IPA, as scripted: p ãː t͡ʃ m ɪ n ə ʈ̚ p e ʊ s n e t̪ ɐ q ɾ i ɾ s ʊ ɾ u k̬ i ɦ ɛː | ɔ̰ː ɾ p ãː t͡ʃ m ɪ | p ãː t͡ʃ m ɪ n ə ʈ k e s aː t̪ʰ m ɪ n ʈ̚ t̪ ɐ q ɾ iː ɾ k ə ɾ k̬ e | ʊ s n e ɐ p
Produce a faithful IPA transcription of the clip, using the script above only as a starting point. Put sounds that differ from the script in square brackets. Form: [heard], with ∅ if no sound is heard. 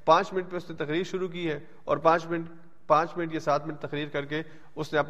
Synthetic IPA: p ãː t͡ʃ m ɪ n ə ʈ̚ p e ʊ s n e t̪ ɐ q ɾ [iː] ɾ [ʃ] ʊ ɾ u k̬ i ɦ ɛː | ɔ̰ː ɾ p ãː t͡ʃ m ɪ | p ãː t͡ʃ m ɪ n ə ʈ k e s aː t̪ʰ m ɪ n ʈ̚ t̪ ɐ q ɾ iː ɾ k [ɐ] ɾ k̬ e | ʊ s n e ɐ p